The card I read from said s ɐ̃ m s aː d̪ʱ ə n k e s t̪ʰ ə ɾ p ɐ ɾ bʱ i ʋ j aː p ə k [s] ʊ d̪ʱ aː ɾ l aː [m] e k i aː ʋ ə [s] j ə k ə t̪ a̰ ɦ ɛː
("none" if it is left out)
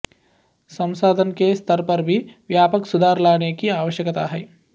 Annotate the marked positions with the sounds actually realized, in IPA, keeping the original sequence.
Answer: s, n, ʃ

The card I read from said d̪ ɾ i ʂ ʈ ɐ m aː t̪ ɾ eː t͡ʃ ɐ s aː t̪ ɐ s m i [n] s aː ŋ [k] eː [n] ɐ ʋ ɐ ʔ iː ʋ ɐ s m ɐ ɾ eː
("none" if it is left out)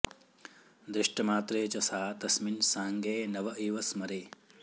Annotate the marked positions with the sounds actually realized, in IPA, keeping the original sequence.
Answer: n, ɡ, n

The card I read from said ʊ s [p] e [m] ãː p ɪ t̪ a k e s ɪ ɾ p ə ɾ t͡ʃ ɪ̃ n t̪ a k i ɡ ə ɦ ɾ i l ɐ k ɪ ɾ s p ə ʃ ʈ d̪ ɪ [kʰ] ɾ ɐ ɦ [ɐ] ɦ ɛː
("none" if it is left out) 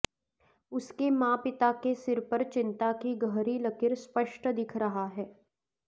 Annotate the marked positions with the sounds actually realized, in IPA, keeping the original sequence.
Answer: k, m, kʰ, a

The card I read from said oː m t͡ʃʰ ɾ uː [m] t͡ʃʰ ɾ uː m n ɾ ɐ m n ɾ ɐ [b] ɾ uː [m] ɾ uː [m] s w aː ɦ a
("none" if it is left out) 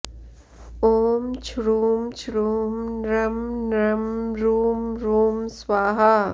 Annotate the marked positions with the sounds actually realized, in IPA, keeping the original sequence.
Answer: m, m, m, m

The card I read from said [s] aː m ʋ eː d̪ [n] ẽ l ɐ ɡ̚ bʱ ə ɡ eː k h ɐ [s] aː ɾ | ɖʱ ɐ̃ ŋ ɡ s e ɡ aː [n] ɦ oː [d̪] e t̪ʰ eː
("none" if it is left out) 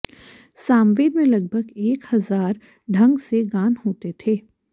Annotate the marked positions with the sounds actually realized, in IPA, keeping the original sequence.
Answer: s, m, z, n, t̪

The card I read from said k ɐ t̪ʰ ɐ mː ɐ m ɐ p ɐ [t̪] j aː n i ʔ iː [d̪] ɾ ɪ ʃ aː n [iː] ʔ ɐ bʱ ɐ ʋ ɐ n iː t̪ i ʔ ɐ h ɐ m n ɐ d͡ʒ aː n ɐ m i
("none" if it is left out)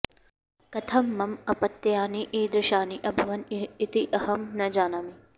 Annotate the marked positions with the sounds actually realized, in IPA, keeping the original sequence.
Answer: t̪, d̪, i

